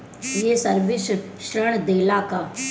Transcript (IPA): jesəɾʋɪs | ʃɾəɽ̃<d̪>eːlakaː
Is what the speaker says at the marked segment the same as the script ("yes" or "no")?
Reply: yes